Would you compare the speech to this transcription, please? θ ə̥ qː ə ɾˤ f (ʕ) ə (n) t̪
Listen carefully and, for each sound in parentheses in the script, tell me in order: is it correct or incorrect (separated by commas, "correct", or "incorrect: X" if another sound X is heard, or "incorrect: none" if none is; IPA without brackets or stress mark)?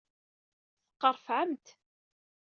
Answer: correct, incorrect: m